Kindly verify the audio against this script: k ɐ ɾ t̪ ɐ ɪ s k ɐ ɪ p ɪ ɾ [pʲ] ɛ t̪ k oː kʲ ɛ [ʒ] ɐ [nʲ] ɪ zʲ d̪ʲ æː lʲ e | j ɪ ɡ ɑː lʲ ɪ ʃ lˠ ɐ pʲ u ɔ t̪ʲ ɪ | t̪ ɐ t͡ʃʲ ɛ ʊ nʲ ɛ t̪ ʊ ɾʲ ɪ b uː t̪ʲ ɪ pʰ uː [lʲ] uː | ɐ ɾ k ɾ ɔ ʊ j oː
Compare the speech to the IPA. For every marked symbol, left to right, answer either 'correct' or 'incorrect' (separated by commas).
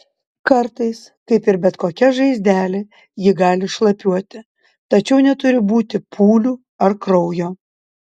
incorrect, correct, incorrect, correct